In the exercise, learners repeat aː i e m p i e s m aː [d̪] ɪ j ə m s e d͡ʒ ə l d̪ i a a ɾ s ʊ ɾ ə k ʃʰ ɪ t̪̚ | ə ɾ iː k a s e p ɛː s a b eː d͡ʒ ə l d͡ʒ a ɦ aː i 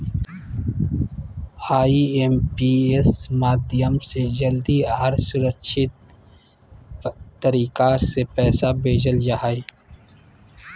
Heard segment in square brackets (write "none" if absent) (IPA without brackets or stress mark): d̪